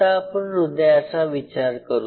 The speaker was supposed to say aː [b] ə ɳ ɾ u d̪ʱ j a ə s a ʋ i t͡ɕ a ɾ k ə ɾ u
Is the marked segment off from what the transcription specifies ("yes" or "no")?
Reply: yes